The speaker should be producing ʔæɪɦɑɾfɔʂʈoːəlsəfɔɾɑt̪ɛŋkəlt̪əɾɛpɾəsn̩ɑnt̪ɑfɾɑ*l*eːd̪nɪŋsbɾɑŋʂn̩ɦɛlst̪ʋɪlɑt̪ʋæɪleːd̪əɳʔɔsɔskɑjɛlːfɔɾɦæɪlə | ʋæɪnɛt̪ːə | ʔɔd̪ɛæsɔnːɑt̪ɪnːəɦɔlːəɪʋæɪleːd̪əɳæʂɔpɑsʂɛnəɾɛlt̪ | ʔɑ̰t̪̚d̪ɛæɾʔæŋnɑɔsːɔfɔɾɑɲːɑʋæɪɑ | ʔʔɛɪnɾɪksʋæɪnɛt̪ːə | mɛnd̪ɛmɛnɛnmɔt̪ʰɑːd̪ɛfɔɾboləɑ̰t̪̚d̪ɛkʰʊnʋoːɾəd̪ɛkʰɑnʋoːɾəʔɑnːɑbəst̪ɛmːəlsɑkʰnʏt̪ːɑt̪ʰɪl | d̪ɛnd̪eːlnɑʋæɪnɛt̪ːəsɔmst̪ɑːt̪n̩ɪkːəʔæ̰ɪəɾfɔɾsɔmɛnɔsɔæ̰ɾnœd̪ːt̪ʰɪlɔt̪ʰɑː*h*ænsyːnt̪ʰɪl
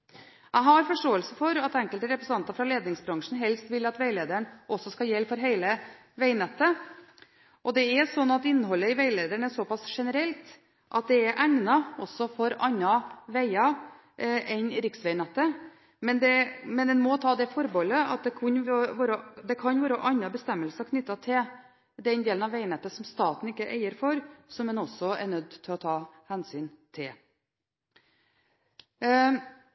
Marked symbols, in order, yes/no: yes, yes

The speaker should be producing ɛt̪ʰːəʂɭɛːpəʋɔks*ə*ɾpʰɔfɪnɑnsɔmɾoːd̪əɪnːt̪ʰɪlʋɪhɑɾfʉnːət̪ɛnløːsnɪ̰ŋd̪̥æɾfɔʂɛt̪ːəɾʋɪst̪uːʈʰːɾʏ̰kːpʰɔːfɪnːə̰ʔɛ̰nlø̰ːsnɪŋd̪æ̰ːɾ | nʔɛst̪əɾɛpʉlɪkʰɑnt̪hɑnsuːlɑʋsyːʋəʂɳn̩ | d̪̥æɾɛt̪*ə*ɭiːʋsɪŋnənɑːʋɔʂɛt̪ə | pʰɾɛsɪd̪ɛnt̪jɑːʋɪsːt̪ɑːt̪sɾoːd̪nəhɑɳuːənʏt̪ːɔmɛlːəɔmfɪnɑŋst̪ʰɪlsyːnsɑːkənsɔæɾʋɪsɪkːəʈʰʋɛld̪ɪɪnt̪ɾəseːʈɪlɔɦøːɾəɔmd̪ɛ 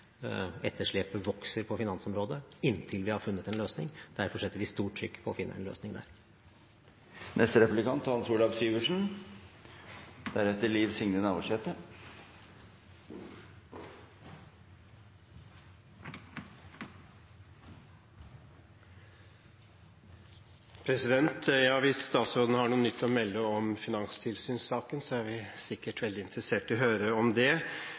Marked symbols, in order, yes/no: yes, yes

